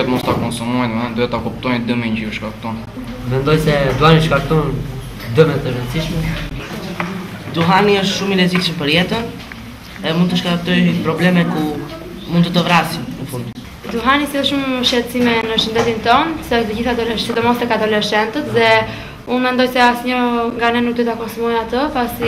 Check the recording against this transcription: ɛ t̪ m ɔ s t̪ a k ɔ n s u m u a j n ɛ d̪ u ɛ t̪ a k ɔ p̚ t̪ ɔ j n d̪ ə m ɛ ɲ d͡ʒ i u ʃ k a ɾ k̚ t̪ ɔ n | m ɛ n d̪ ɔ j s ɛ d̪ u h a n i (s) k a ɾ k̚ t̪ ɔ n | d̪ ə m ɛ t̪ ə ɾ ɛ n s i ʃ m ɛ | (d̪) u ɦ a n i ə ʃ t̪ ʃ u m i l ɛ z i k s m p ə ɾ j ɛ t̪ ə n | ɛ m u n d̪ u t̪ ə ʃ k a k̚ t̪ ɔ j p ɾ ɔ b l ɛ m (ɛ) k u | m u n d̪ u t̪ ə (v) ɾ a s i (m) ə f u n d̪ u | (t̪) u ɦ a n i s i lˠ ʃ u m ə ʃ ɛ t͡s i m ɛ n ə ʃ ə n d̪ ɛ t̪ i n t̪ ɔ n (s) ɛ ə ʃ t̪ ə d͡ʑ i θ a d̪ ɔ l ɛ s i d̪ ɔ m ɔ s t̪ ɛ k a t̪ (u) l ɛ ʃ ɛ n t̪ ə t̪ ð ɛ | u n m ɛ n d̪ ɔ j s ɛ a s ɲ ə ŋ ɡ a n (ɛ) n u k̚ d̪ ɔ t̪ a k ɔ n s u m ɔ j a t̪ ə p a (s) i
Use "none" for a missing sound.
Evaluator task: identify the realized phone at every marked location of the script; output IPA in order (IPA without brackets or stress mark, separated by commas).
ʃ, d̪, ɛ, v, n, d̪, s, ɔ, ɛ, s